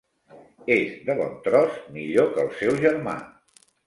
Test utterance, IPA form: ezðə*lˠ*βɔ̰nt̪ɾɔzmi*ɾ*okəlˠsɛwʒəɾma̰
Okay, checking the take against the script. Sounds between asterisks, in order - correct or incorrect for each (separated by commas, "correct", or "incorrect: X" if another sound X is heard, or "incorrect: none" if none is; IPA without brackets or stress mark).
incorrect: none, incorrect: ʎ